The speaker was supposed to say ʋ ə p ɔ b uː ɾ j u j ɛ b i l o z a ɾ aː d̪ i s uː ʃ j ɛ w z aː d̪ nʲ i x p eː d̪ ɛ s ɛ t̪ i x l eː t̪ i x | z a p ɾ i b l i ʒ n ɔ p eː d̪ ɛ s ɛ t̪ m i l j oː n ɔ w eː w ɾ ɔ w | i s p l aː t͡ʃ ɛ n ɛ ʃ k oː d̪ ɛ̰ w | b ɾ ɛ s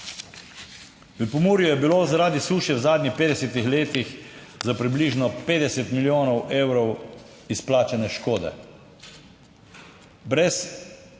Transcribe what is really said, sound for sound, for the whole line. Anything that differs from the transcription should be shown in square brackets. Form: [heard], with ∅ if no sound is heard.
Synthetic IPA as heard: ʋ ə p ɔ [m] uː ɾ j u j ɛ b i l o z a ɾ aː d̪ i s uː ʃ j ɛ w z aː d̪ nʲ i x p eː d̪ ɛ s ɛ t̪ i x l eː t̪ i x | z a p ɾ i b l i ʒ n ɔ p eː d̪ ɛ s ɛ t̪ m i l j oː n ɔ w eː w ɾ ɔ w | i s p l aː t͡ʃ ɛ n ɛ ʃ k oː d̪ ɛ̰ [∅] | b ɾ ɛ s